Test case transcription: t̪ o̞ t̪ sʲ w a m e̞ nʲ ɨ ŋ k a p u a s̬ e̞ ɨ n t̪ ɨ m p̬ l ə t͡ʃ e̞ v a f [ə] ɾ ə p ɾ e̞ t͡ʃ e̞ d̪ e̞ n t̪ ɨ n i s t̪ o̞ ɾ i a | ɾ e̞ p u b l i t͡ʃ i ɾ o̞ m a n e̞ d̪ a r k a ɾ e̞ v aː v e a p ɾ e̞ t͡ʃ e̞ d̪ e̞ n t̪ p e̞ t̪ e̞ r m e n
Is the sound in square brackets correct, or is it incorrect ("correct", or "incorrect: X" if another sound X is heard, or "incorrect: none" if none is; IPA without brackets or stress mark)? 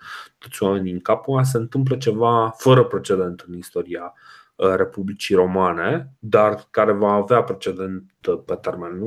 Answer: correct